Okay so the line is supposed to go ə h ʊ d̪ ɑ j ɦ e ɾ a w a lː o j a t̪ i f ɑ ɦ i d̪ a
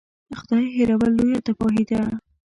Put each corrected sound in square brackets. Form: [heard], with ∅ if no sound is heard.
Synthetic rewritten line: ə [x] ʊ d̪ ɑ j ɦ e ɾ a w a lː o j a t̪ [a] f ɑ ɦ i d̪ a